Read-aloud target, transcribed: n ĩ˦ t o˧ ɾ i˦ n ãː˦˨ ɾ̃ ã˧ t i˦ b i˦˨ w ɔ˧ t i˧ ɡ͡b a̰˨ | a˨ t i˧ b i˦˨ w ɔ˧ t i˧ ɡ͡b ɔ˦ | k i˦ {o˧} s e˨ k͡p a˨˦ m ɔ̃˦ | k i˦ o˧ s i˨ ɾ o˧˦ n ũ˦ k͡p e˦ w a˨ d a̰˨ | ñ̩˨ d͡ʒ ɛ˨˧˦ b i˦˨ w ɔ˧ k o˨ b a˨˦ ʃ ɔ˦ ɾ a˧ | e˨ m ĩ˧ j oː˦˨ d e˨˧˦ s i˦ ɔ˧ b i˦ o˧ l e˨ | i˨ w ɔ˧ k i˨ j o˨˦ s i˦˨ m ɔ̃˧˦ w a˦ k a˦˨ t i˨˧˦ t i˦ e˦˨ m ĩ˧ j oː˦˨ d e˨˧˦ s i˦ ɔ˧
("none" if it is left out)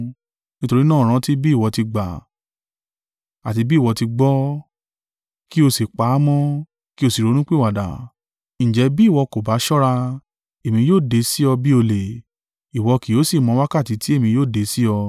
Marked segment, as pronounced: o˧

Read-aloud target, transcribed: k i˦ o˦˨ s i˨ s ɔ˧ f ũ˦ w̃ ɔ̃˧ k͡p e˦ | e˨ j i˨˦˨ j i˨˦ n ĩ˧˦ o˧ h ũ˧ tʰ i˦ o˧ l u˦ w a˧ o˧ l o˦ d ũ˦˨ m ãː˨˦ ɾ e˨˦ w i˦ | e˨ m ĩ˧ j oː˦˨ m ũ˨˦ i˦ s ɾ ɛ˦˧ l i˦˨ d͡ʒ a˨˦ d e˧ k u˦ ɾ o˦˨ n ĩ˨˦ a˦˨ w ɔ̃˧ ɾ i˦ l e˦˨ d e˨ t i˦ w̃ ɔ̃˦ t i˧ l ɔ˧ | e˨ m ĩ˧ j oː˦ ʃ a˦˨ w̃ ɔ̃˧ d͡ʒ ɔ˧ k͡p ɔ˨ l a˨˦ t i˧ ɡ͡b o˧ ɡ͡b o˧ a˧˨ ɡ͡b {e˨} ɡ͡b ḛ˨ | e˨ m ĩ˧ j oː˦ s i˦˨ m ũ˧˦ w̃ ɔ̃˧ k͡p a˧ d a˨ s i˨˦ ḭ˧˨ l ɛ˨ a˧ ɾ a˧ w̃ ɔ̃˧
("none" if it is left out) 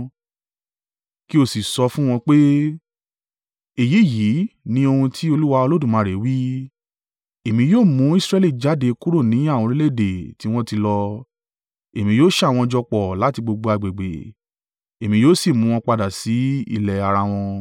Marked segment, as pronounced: e˨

